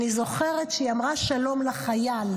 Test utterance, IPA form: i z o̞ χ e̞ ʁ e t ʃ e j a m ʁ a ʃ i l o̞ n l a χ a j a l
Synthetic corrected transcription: i z o̞ χ e̞ ʁ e t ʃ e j a m ʁ a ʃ a l o̞ m l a χ a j a l